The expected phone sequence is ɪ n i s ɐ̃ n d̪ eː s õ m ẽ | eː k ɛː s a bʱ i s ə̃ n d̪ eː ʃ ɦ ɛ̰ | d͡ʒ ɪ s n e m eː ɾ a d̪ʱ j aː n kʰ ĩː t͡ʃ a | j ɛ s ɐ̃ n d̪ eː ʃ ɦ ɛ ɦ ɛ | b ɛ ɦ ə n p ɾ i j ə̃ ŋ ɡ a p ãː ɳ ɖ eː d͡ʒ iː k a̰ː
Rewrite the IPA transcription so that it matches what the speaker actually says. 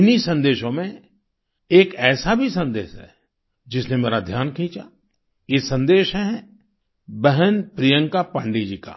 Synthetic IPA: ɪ n i s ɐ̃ n d̪ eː ʃ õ m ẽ | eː k ɛː s a bʱ i s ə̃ n d̪ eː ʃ ɦ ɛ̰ | d͡ʒ ɪ s n e m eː ɾ a d̪ʱ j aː n kʰ ĩː t͡ʃ a | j e s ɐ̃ n d̪ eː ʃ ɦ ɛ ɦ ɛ | b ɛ ɦ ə n p ɾ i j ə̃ ŋ k a p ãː ɳ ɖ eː d͡ʒ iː k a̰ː